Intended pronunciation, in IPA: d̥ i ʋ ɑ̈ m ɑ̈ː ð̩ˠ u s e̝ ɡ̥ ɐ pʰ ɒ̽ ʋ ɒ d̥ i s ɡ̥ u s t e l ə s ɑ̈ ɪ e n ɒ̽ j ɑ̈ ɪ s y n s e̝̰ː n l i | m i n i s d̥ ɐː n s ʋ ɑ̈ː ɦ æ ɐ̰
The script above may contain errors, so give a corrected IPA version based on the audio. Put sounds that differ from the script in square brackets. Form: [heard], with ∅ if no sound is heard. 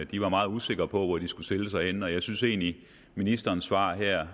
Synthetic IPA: d̥ i ʋ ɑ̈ m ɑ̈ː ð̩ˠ u s e̝ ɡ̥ ɐ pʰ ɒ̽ ʋ ɒ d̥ i s ɡ̥ u s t e l ə s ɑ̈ ɪ e n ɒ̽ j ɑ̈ ɪ s y n s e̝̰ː n l i | m i n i s d̥ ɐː n s ʋ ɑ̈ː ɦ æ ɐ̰